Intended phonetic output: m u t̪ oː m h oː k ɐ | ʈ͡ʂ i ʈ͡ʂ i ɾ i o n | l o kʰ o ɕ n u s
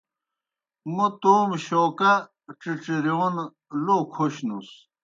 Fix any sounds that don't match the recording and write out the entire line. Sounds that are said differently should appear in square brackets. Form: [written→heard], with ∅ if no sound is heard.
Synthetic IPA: m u t̪ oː m [h→ɕ] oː k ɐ | ʈ͡ʂ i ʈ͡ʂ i ɾ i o n | l o kʰ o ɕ n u s